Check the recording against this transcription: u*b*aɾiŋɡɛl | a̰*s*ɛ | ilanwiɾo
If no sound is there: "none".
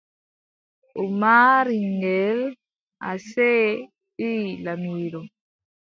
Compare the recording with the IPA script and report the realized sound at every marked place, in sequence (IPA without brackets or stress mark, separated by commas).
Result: m, s